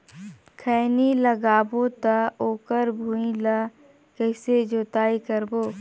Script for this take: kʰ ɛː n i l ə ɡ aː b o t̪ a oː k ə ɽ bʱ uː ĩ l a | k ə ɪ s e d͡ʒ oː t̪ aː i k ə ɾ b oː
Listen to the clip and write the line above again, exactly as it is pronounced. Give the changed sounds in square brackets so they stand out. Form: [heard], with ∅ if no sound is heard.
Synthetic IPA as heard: kʰ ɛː n i l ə ɡ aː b o t̪ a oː k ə [ɾ] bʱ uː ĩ l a | k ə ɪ s e d͡ʒ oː t̪ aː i k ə ɾ b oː